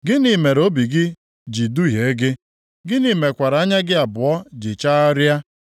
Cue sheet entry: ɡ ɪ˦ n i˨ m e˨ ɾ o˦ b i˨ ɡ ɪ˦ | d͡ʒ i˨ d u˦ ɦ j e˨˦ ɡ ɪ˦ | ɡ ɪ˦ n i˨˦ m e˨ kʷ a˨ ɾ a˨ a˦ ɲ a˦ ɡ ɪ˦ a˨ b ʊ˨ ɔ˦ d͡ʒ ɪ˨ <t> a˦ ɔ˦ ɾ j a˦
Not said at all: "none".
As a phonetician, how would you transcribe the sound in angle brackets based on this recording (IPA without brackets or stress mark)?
t͡ʃ